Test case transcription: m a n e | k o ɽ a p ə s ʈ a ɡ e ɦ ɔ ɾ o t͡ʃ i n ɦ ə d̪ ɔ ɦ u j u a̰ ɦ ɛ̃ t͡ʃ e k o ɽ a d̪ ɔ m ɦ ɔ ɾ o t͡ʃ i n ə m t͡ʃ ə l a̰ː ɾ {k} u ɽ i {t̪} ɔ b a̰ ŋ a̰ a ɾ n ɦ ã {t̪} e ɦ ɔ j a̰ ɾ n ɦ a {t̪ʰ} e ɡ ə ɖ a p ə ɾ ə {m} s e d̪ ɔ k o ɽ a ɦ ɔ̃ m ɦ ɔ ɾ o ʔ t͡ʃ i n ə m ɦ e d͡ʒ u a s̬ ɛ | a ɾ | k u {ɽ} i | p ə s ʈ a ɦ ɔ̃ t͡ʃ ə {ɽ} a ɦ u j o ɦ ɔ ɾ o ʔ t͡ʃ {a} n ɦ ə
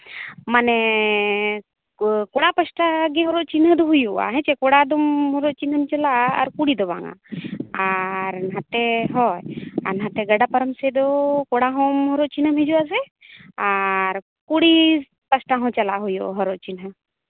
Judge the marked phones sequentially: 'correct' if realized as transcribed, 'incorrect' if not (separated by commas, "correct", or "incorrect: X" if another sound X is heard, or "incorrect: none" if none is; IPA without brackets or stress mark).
correct, incorrect: d̪, correct, incorrect: t̪, correct, correct, incorrect: l, incorrect: i